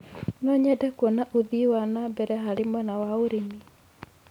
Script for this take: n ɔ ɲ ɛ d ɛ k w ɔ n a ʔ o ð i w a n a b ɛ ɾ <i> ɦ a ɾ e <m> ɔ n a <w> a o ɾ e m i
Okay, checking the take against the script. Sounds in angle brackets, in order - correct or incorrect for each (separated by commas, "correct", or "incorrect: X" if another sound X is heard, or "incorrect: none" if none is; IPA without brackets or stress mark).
incorrect: ɛ, correct, correct